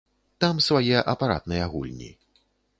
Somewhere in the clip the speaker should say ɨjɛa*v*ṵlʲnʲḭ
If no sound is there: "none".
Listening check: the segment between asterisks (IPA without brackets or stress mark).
ɣ